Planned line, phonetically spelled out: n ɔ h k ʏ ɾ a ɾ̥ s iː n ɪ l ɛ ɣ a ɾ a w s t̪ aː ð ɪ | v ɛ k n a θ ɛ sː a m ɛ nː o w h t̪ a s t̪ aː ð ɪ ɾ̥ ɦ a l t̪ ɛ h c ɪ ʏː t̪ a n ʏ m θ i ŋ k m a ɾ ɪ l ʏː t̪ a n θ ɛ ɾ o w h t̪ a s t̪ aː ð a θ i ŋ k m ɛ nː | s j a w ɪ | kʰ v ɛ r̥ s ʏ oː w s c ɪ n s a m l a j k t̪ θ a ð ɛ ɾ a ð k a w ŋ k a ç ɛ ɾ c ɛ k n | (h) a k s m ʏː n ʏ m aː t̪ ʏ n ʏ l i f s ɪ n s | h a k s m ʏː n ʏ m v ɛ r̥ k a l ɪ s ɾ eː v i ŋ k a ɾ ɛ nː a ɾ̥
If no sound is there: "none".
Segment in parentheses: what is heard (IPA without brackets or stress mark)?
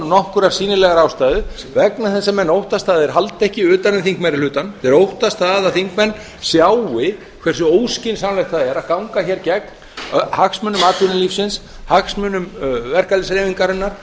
h